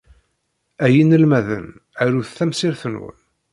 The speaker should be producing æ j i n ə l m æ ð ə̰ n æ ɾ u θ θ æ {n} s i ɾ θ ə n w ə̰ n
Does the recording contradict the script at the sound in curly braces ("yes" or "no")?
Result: yes